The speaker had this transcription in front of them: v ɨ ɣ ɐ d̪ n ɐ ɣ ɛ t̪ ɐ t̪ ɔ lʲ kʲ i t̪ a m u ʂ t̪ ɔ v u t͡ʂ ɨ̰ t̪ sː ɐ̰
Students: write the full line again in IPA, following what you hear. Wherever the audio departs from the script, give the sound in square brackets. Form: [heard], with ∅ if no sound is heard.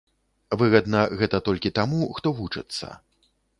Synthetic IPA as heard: v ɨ ɣ ɐ d̪ n ɐ ɣ ɛ t̪ ɐ t̪ ɔ lʲ kʲ i t̪ a m u [x] t̪ ɔ v u t͡ʂ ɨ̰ t̪ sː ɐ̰